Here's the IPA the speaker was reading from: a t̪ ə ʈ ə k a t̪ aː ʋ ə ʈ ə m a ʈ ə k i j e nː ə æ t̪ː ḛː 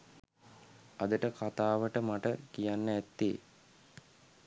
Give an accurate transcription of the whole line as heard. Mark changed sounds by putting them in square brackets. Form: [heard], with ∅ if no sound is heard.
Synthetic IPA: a [d̪] ə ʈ ə k a t̪ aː ʋ ə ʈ ə m a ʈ ə k i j [a] nː ə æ t̪ː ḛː